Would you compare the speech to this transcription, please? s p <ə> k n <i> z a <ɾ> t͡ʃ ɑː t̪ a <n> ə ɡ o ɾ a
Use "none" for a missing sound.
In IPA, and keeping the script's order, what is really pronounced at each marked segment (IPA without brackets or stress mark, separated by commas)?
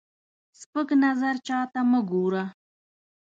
ə, a, ɾ, m